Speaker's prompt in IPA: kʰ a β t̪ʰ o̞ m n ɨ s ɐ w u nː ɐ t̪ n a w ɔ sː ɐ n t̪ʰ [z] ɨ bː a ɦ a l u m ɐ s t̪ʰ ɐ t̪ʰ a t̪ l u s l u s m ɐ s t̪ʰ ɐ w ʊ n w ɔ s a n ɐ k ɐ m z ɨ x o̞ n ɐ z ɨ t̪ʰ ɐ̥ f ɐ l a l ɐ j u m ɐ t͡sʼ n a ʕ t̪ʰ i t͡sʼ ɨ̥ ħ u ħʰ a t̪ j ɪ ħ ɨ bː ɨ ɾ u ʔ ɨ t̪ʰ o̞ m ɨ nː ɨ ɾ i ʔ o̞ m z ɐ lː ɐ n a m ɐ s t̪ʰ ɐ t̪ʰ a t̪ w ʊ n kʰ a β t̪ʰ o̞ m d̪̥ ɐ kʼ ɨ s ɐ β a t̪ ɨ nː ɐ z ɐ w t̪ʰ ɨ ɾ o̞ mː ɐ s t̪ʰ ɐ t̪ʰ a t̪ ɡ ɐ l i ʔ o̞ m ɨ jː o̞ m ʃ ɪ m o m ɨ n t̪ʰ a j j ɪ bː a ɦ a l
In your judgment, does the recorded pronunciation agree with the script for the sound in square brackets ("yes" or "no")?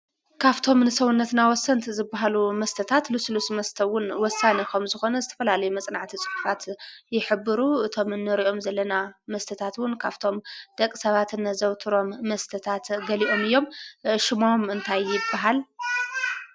yes